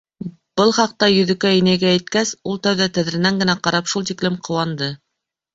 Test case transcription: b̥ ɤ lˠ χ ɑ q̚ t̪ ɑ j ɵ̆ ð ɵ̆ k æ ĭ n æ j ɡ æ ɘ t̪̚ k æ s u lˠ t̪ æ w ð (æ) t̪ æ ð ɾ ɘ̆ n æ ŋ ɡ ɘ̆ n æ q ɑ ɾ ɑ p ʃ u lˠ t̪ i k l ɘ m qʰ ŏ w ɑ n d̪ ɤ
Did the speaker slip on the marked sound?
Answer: no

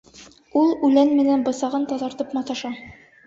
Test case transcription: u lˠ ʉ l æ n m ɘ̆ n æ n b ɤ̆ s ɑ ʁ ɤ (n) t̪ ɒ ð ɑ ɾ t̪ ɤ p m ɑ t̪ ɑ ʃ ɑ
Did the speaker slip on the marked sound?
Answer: no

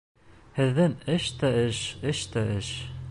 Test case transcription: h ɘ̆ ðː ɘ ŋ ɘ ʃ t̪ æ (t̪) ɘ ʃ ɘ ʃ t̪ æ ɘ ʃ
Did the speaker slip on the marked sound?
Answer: yes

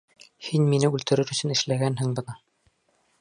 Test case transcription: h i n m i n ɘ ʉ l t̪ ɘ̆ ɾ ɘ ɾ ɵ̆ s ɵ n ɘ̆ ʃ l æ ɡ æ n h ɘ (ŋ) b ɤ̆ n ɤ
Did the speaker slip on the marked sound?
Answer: no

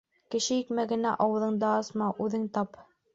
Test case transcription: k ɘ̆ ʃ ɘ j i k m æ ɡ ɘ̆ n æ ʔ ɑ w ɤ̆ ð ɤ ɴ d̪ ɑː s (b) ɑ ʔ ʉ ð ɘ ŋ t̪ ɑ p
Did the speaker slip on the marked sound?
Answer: yes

